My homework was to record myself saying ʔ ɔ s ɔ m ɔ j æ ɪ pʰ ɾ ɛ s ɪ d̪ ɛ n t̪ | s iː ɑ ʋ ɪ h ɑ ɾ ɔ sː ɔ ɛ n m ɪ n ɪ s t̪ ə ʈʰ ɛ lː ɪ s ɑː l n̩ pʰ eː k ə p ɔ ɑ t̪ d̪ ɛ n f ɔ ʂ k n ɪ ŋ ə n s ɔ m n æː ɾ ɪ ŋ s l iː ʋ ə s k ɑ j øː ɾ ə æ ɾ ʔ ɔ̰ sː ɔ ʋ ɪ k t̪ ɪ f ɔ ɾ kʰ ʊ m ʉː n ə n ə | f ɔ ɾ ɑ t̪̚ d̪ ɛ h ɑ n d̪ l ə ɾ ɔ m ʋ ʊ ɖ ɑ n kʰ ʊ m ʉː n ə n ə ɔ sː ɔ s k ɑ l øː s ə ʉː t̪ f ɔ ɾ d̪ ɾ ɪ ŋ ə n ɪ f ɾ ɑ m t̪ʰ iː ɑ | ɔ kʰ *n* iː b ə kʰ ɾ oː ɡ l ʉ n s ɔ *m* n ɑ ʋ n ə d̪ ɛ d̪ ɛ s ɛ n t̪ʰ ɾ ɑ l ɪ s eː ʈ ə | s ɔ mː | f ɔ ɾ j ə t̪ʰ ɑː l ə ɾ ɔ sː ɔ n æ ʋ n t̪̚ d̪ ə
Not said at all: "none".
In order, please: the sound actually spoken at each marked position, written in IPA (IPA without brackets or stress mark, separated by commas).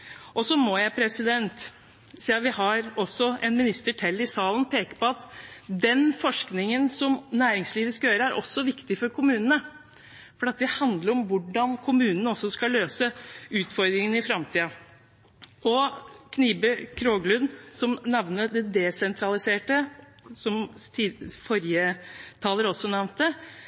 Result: n, m